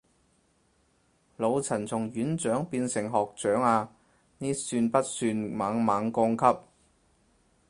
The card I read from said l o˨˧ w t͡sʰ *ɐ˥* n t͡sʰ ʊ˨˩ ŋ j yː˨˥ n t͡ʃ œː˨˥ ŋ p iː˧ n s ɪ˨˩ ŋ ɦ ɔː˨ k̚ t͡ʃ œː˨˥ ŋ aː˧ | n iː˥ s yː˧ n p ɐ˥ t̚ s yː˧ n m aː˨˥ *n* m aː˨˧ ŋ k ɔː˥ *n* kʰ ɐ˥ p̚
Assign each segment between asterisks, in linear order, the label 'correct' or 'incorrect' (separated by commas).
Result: incorrect, incorrect, incorrect